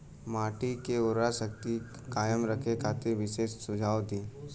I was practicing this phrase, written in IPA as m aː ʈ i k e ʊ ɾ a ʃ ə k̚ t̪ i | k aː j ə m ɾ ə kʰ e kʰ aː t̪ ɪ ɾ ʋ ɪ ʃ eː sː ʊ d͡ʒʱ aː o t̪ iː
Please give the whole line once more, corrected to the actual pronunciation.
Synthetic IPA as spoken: m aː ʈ i k e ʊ ɾ a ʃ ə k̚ t̪ i | k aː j ə m ɾ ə kʰ e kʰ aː t̪ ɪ ɾ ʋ ɪ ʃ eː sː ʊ d͡ʒʱ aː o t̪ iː